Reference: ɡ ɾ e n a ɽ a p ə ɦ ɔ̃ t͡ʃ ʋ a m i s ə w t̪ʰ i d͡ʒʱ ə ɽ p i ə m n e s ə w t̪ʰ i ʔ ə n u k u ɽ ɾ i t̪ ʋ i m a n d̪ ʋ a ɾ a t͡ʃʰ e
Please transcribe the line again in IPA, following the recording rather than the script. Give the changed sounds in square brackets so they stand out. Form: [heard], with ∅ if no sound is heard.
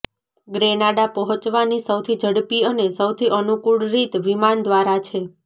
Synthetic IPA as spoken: ɡ ɾ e n a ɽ a p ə ɦ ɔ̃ t͡ʃ ʋ a [n] i s ə w t̪ʰ i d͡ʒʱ ə ɽ p i ə [∅] n e s ə w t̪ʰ i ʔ ə n u k u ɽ ɾ i t̪ ʋ i m a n d̪ ʋ a ɾ a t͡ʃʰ e